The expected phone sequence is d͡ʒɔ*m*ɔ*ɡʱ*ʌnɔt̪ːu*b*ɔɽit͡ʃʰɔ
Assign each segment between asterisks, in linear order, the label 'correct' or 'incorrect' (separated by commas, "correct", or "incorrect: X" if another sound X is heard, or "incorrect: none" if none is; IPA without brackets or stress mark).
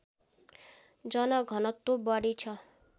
incorrect: n, correct, correct